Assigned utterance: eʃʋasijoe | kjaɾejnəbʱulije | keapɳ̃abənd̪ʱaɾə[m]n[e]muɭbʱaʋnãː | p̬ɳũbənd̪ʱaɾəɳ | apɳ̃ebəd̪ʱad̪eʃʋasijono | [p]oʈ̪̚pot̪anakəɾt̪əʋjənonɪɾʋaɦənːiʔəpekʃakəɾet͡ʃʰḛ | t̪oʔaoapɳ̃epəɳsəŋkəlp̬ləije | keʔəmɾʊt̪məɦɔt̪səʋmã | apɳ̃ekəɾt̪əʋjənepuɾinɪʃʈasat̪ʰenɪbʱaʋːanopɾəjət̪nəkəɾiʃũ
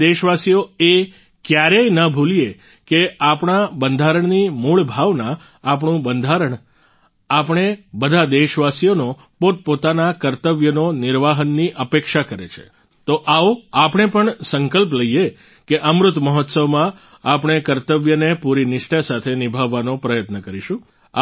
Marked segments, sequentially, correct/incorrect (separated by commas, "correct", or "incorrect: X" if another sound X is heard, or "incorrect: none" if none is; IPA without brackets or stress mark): incorrect: ɳ, incorrect: i, correct